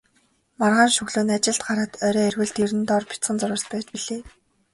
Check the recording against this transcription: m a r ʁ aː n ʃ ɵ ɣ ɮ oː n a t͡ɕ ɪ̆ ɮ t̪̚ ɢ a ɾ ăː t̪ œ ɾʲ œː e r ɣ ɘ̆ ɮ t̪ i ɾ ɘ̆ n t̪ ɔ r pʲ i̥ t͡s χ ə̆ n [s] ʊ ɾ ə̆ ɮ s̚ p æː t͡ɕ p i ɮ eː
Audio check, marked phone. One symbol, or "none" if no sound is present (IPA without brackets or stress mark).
t͡s